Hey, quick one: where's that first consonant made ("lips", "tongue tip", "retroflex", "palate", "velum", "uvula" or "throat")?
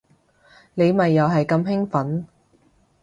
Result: tongue tip